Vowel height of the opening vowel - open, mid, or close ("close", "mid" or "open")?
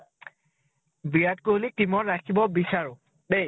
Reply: close